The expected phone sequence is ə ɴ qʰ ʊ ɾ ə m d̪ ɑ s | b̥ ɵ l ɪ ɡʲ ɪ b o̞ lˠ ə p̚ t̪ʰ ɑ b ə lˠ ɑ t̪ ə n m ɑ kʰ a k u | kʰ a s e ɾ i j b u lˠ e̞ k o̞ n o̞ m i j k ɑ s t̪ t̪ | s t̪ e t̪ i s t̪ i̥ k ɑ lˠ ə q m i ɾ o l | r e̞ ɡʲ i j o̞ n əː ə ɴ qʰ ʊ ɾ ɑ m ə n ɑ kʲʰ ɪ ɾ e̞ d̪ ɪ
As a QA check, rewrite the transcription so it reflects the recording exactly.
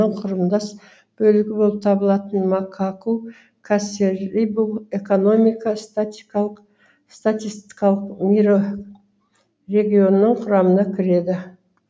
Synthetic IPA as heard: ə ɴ qʰ ʊ ɾ ə m d̪ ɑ s | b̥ ɵ l ɪ ɡʲ ɪ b o̞ lˠ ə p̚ t̪ʰ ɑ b ə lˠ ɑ t̪ ə n m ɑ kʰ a k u | kʰ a s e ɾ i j b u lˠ e̞ k o̞ n o̞ m i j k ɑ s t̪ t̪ | s t̪ a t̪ i s t̪ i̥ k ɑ lˠ ə q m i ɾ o | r e̞ ɡʲ i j o̞ n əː ə ɴ qʰ ʊ ɾ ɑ m ə n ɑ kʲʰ ɪ ɾ e̞ d̪ ɪ

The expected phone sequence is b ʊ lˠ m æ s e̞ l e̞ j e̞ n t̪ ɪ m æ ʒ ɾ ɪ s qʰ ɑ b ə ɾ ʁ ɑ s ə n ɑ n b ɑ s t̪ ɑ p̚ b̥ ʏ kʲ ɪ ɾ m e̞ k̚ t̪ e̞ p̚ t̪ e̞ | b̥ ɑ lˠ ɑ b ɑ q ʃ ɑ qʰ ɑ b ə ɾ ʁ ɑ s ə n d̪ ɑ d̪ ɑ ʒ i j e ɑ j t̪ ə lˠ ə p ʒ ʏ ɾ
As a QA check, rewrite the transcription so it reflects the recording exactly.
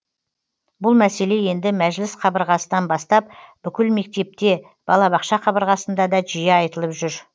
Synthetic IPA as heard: b ʊ lˠ m æ s e̞ l e̞ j e̞ n d̪ ɪ m æ ʒ l ɪ s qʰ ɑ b ə ɾ ʁ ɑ s ə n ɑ n b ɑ s t̪ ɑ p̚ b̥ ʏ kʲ ɪ l m e̞ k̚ t̪ e̞ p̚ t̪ e̞ | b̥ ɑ lˠ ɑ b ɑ q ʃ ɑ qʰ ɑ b ə ɾ ʁ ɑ s ə n d̪ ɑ d̪ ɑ ʒ i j e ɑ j t̪ ə lˠ ə p ʒ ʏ ɾ

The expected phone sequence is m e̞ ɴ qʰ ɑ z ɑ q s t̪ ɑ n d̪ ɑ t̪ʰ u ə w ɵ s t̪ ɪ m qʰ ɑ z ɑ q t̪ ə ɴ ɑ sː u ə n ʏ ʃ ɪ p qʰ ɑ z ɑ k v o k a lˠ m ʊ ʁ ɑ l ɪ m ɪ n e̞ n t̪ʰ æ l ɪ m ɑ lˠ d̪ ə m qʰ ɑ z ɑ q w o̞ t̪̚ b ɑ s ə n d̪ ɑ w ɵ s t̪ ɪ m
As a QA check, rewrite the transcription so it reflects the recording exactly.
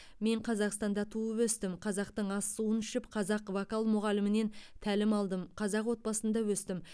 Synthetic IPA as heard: m e̞ ɴ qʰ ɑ z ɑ q s t̪ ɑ n d̪ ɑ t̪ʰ u ə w ɵ s t̪ ɪ m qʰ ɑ z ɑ q t̪ ə ɴ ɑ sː u ə n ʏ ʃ ɪ p qʰ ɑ z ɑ q v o k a lˠ m ʊ ʁ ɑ l ɪ m ɪ n e̞ n t̪ʰ æ l ɪ m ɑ lˠ d̪ ə m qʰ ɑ z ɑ q w o̞ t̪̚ b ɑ s ə n d̪ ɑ w ɵ s t̪ ɪ m

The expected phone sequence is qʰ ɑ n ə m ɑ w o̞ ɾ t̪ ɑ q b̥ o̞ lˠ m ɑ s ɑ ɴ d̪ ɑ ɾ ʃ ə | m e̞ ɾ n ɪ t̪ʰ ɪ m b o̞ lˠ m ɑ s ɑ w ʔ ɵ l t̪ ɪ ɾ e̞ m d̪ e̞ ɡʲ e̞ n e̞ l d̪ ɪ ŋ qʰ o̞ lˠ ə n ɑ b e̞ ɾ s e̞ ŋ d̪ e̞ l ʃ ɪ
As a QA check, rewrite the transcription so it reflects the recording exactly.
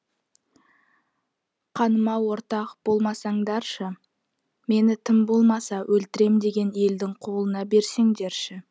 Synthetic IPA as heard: qʰ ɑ n ə m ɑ w o̞ ɾ t̪ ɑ q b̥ o̞ lˠ m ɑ s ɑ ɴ d̪ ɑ ɾ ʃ ə | m e̞ n ɪ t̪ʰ ɪ m b o̞ lˠ m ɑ s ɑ w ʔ ɵ l t̪ ɪ ɾ e̞ m d̪ e̞ ɡʲ e̞ n e̞ l d̪ ɪ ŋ qʰ o̞ lˠ ə n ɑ b e̞ ɾ s e̞ ŋ d̪ e̞ ɾ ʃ ɪ

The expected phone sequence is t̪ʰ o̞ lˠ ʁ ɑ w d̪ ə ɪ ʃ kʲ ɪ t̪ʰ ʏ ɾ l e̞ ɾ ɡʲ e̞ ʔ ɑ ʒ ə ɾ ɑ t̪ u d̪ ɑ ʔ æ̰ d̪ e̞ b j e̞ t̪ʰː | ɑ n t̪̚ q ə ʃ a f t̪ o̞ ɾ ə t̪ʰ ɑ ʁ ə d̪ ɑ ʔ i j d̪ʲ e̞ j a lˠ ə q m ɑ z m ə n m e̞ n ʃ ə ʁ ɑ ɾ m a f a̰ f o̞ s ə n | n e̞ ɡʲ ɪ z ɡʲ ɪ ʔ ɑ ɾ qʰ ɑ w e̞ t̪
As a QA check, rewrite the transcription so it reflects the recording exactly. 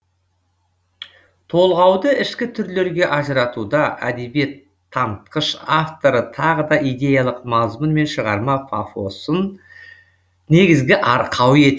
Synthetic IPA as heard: t̪ʰ o̞ lˠ ʁ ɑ w d̪ ə ɪ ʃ kʲ ɪ t̪ʰ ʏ ɾ l e̞ ɾ ɡʲ e̞ ʔ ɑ ʒ ə ɾ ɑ t̪ u d̪ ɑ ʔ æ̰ d̪ e̞ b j e̞ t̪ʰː | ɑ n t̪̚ q ə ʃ a f t̪ o̞ ɾ ə t̪ʰ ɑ ʁ ə d̪ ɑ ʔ i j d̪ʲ e̞ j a lˠ ə q m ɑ z m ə n m e̞ n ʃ ə ʁ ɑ ɾ m ɑ f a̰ f o̞ s ə n | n e̞ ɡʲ ɪ z ɡʲ ɪ ʔ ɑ ɾ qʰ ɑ w e̞ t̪

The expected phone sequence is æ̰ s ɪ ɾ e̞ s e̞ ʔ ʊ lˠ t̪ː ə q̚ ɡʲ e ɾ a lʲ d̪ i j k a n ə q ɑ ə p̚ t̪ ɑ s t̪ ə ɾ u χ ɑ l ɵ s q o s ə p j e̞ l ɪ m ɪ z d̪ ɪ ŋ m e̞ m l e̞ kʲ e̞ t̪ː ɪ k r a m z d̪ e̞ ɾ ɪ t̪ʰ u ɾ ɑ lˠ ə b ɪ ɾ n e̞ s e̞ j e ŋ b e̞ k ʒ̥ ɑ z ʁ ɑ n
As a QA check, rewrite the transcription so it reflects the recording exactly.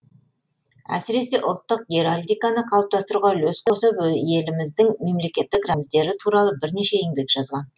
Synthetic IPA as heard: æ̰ s ɪ ɾ e̞ s e̞ ʔ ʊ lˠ t̪ː ə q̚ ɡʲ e ɾ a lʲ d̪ i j k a n ə qʰ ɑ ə p̚ t̪ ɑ s t̪ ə ɾ u ʁ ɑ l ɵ s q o s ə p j e̞ l ɪ m ɪ z d̪ ɪ ŋ m e̞ m l e̞ kʲ e̞ t̪ː ɪ k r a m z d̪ e̞ ɾ ɪ t̪ʰ u ɾ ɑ lˠ ə b ɪ ɾ n e̞ ʃ e̞ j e ŋ b e̞ k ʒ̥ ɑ z ʁ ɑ n

